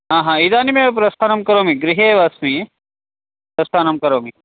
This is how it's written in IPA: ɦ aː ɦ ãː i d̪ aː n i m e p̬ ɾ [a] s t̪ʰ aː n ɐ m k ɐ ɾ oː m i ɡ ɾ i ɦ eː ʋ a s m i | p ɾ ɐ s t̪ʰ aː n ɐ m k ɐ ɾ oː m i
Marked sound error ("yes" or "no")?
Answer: yes